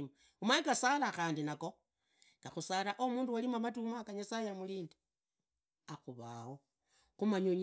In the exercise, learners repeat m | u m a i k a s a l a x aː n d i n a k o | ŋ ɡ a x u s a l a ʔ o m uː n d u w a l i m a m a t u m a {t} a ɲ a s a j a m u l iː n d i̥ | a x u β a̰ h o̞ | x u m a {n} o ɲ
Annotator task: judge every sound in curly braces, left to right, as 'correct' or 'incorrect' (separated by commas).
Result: incorrect, incorrect